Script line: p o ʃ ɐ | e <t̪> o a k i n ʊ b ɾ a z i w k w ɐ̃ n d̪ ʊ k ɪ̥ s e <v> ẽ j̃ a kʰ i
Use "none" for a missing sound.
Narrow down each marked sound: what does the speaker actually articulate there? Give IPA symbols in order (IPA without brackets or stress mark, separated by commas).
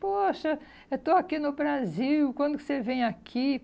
t̪, v